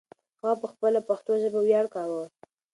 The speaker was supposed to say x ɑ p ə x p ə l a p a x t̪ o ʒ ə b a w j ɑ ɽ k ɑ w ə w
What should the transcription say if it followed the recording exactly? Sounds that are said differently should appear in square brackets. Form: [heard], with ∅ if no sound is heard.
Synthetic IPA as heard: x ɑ p ə x p ə l a p a x t̪ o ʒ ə b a w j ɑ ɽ k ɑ w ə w